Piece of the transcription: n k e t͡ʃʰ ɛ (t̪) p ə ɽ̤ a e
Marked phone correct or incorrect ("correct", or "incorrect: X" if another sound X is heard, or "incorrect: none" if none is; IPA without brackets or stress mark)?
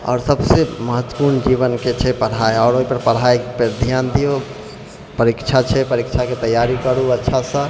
incorrect: none